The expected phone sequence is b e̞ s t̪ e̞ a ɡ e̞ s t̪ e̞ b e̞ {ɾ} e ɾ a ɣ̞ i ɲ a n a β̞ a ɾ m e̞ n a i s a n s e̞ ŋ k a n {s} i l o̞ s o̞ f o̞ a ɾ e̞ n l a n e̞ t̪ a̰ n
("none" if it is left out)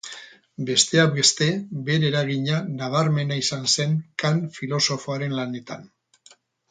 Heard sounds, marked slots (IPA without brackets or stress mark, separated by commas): ɾ, f